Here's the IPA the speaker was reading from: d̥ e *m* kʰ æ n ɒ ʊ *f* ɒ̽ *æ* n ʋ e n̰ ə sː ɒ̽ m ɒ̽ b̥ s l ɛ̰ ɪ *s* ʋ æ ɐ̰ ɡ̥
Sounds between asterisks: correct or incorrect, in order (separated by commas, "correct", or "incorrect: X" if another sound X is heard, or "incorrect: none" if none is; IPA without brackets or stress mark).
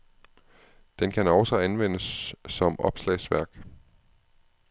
incorrect: n, incorrect: s, correct, correct